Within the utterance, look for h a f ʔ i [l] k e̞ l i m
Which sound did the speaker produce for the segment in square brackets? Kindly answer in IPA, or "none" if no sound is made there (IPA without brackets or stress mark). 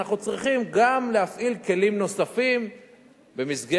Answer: l